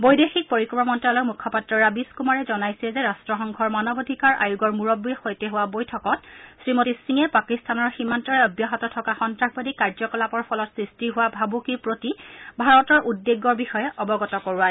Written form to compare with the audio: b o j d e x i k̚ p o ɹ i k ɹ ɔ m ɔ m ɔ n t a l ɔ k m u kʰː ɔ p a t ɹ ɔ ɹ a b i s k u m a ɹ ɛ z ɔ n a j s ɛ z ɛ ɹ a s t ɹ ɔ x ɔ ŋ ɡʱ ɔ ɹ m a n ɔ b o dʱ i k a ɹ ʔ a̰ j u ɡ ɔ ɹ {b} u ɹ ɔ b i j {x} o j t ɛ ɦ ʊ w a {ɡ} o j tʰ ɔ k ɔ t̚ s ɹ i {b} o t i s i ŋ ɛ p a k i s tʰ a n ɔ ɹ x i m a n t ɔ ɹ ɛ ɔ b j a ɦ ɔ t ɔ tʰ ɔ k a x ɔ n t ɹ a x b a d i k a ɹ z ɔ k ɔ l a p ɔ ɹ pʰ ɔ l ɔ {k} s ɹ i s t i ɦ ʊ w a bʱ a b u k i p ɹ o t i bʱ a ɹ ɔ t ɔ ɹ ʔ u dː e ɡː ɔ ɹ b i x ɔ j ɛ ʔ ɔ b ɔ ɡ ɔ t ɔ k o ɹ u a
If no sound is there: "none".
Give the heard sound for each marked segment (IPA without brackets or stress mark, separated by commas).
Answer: m, x, b, m, t